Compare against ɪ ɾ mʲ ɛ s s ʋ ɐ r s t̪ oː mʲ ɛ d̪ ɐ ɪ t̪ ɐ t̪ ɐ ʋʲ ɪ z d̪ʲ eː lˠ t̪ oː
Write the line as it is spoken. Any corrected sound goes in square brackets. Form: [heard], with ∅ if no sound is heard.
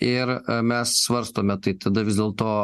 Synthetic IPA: ɪ ɾ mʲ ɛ s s ʋ ɐ [ɾ] s t̪ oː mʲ ɛ [t̪] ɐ ɪ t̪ ɐ [d̪] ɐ ʋʲ ɪ z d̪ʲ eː lˠ t̪ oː